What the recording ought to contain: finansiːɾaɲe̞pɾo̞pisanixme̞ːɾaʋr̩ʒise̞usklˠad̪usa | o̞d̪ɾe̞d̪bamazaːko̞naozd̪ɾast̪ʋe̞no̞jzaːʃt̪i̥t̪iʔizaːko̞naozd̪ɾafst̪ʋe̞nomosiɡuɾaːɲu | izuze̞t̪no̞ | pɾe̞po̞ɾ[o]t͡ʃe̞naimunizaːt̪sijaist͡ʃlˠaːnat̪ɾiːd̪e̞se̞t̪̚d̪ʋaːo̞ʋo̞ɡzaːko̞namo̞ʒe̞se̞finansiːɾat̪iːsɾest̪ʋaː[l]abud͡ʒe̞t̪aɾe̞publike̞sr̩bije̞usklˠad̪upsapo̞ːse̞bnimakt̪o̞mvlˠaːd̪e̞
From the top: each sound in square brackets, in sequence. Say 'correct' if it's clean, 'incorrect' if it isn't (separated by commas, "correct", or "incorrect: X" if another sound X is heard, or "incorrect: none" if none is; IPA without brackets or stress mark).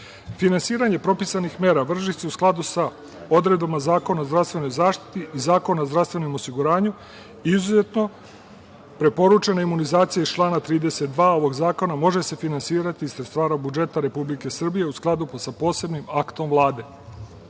incorrect: u, incorrect: ɾ